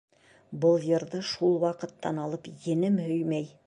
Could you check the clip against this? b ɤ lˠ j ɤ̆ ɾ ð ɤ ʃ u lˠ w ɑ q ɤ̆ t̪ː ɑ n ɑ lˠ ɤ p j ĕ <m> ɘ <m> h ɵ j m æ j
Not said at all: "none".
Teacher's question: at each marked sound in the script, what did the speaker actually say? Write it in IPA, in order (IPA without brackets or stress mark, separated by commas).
n, m